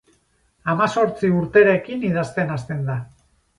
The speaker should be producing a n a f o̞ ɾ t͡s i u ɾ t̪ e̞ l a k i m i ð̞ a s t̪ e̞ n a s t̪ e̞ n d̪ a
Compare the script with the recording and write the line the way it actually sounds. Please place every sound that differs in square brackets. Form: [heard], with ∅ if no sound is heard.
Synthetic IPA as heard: a [m] a [s] o̞ ɾ t͡s i u ɾ t̪ e̞ [ɾ] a k i [n] i ð̞ a s t̪ e̞ n a s t̪ e̞ n d̪ a